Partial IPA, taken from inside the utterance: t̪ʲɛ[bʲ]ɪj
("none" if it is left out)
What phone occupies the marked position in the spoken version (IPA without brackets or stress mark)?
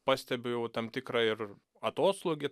bʲ